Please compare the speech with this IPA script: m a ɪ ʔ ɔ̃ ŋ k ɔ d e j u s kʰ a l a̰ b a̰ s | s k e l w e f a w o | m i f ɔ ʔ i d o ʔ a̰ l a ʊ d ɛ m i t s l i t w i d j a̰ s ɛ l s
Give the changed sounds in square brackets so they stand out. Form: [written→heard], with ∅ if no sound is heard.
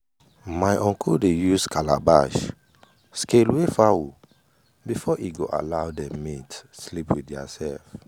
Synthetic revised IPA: m a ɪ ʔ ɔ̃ ŋ k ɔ d e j u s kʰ a l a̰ b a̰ [s→ʃ] | s k e l w e f a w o | [m→b] i f ɔ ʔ i [d→ɡ] o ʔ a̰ l a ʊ d ɛ m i t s l i [t→p] w i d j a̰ s ɛ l [s→f]